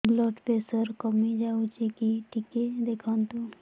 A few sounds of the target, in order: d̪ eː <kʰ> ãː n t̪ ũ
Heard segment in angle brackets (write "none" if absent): kʰ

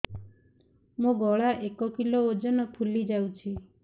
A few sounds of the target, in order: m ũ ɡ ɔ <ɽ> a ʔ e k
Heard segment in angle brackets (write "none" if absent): ɭ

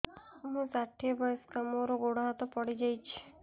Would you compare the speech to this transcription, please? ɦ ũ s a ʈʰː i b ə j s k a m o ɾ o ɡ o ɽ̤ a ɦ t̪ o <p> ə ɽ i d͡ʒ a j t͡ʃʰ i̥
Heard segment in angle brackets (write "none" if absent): p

